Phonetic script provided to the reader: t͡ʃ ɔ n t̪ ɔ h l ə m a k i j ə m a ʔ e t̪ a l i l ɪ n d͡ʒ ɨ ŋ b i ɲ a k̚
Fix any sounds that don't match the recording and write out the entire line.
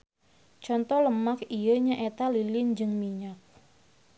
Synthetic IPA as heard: t͡ʃ ɔ n t̪ ɔ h l ə m a k i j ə ɲ a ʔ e t̪ a l i l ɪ n d͡ʒ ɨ ŋ m i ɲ a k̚